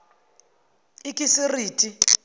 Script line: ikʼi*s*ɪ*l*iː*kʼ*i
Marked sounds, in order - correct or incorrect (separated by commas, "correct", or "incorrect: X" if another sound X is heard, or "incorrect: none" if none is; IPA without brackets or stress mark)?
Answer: correct, incorrect: r, incorrect: tʼ